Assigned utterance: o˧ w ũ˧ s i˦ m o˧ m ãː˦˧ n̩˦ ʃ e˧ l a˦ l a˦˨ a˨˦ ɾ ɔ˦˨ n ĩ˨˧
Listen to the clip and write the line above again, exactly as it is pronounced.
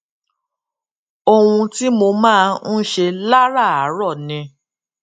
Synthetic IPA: o˧ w ũ˧ t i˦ m o˧ m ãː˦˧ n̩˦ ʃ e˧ l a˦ ɾ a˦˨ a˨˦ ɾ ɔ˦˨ n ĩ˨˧

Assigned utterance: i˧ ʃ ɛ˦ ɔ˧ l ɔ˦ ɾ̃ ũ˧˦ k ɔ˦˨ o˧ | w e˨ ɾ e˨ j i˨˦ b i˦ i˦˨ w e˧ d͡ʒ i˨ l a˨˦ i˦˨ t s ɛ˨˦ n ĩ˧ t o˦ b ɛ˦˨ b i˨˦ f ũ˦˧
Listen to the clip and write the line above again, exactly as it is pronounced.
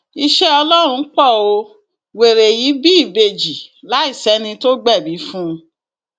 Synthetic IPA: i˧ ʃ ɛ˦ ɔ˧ l ɔ˦ ɾ̃ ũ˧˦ k͡p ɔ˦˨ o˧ | w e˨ ɾ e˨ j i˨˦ b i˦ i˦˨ b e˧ d͡ʒ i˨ l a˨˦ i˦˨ s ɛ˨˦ n ĩ˧ t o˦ ɡ͡b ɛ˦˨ b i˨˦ f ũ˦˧

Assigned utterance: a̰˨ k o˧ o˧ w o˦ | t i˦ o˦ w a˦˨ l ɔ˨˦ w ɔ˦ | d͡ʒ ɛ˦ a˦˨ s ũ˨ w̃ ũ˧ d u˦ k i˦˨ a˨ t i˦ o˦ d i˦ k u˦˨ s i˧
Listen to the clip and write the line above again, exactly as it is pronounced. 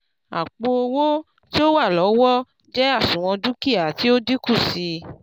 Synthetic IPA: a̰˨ k͡p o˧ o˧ w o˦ | t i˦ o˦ w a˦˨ l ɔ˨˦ w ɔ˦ | d͡ʒ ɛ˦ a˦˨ s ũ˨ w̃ ɔ̃˧ d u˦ k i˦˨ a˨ t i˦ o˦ d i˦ k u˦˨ s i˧

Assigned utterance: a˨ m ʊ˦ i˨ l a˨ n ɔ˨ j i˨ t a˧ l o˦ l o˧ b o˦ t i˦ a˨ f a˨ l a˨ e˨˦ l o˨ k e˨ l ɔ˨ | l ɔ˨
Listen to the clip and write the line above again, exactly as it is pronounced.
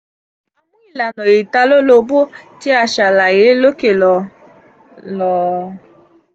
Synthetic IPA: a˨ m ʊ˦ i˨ l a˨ n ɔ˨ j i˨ t a˧ l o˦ l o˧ b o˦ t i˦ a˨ ʃ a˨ l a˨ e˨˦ l o˦ k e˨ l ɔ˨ | l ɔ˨

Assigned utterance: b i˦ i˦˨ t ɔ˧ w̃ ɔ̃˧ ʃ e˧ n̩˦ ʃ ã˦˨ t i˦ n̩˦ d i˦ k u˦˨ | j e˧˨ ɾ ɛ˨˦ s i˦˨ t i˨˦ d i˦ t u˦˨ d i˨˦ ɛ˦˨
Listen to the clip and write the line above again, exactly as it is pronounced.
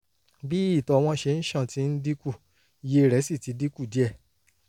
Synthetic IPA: b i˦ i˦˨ t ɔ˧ w̃ ɔ̃˧ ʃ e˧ n̩˦ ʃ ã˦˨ t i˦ n̩˦ d i˦ k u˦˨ | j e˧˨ ɾ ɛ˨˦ s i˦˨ t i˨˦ d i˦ k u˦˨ d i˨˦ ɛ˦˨

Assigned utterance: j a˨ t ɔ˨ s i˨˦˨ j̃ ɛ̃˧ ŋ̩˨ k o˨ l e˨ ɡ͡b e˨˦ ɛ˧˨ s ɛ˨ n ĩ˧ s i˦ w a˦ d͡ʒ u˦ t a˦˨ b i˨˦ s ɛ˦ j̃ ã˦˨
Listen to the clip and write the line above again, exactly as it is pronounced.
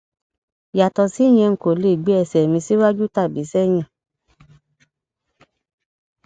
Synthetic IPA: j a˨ t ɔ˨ s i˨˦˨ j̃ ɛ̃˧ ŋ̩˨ k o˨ l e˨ ɡ͡b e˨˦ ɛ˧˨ s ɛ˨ m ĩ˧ s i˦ w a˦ d͡ʒ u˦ t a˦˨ b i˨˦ s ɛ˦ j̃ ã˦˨

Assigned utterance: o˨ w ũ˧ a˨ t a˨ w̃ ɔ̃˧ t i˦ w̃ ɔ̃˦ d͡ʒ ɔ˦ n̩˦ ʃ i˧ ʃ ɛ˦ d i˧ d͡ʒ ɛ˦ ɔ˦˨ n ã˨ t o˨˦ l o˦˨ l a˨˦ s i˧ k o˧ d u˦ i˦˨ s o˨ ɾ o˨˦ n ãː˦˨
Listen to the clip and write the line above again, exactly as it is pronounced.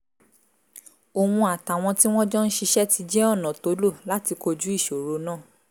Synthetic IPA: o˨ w ũ˧ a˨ t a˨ w̃ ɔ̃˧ t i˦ w̃ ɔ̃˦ d͡ʒ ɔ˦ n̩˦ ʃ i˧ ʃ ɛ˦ t i˧ d͡ʒ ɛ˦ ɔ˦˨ n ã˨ t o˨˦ l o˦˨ l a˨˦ t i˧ k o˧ d͡ʒ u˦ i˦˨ ʃ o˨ ɾ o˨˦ n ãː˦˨

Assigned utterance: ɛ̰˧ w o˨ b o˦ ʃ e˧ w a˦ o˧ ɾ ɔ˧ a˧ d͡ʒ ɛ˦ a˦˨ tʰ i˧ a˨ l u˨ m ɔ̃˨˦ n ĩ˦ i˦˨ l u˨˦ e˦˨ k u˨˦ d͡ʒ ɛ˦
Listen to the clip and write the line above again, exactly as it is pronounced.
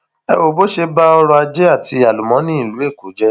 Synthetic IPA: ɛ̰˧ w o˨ b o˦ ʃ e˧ b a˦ ɔ˧ ɾ ɔ˧ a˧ d͡ʒ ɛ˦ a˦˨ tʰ i˧ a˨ l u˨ m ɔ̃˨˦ n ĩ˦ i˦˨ l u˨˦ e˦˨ k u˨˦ d͡ʒ ɛ˦

